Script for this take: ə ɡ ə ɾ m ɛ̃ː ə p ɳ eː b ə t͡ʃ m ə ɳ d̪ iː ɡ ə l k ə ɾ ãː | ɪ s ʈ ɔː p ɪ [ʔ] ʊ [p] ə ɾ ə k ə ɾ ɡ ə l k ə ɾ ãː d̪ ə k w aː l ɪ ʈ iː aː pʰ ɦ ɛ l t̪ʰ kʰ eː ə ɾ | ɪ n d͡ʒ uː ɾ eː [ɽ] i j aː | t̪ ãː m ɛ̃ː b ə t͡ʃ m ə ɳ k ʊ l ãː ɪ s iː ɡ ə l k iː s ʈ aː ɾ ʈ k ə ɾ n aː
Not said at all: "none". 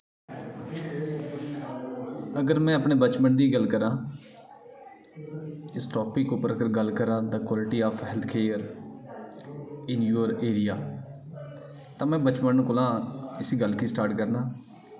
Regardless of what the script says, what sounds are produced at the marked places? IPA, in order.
k, p, ɾ

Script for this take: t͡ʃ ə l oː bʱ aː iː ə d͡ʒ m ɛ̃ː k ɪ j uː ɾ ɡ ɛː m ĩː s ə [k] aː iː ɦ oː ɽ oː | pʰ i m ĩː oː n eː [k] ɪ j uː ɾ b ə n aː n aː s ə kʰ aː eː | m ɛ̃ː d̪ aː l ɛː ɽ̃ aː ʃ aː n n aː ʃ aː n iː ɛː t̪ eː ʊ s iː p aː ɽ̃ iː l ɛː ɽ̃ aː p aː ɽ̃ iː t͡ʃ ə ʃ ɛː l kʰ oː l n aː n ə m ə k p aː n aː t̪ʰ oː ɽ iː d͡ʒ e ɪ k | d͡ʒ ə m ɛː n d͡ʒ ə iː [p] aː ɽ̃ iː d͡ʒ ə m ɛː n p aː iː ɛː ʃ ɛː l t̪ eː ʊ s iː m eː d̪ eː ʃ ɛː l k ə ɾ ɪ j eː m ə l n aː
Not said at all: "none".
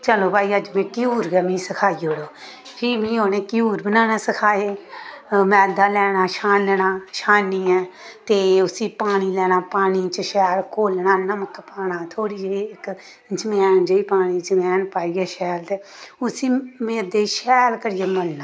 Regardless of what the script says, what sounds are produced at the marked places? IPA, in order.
kʰ, k, p

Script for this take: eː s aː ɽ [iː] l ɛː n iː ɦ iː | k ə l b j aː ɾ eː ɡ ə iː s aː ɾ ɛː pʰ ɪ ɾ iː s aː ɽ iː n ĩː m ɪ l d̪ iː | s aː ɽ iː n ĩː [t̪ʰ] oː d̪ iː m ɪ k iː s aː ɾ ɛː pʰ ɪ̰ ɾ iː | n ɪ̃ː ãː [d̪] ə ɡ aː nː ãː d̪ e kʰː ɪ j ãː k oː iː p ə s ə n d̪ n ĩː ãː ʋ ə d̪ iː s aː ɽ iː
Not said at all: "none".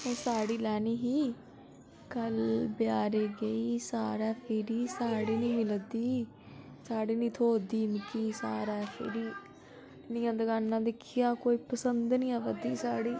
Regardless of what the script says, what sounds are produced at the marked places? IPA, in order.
iː, t̪ʰ, d̪

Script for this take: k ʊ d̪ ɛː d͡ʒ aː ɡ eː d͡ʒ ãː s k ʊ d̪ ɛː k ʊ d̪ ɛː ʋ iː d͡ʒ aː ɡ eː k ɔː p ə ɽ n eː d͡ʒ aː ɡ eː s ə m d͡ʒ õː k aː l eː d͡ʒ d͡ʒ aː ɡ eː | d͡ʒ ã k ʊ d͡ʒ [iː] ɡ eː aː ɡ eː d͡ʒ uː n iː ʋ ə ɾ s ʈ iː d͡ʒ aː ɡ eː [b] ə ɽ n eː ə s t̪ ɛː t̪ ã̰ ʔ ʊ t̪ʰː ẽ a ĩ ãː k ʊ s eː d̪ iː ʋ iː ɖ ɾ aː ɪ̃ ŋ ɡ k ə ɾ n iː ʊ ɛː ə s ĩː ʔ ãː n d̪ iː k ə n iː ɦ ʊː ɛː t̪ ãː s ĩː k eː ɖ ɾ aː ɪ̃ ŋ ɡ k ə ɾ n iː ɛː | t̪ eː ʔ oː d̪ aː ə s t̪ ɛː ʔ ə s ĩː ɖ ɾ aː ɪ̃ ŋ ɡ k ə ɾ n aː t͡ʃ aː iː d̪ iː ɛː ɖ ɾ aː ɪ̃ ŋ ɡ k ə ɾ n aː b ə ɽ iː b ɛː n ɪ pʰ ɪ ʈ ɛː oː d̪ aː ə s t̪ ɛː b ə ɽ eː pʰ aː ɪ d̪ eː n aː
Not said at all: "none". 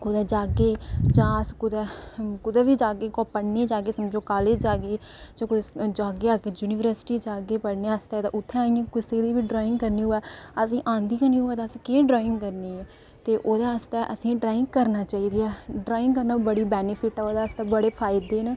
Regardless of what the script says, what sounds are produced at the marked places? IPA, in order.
aː, p

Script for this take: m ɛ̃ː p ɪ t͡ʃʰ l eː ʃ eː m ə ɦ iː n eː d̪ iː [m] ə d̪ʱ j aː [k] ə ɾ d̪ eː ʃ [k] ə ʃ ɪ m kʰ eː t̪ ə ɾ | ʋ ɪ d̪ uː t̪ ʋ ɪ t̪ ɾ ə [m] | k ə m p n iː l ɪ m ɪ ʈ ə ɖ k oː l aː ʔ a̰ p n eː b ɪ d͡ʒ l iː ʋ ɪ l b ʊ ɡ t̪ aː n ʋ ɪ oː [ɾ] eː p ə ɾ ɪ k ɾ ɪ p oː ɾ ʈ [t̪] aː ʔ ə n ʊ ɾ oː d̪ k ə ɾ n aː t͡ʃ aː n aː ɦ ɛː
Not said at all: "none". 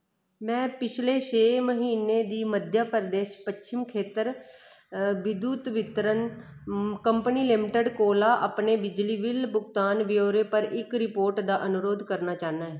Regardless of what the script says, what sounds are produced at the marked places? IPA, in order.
m, p, p, n, ɾ, d̪

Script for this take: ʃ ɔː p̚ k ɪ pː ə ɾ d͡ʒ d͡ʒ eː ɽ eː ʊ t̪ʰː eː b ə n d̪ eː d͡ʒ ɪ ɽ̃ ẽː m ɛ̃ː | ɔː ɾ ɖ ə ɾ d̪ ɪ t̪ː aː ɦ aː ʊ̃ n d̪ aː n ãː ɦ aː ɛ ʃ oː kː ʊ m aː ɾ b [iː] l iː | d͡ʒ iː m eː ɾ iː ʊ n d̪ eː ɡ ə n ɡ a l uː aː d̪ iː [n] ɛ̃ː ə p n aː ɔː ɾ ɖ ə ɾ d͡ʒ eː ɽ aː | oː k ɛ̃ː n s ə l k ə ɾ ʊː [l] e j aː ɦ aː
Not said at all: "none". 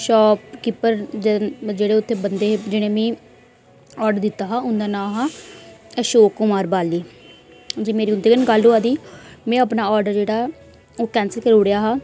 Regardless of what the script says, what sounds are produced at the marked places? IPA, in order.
aː, m, ɽ

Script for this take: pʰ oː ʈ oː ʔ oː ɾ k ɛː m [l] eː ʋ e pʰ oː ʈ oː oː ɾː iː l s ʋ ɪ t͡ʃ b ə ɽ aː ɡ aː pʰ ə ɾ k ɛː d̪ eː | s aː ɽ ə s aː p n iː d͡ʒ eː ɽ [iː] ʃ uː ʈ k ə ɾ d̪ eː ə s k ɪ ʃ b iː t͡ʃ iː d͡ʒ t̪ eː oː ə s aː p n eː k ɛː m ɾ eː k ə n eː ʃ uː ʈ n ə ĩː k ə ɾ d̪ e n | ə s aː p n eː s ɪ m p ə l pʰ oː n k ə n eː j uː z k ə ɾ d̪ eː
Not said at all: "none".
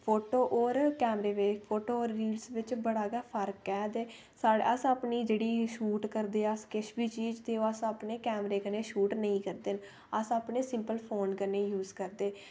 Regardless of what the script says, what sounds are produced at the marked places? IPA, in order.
ɾ, iː

